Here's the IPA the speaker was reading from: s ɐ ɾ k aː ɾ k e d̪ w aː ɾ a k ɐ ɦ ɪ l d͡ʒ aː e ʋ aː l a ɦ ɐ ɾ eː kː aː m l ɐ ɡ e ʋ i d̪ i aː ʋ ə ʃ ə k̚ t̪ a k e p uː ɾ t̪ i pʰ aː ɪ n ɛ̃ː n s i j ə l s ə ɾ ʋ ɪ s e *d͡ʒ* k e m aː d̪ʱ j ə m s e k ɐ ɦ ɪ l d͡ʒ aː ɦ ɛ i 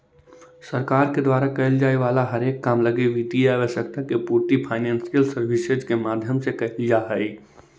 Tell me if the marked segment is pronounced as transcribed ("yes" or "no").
yes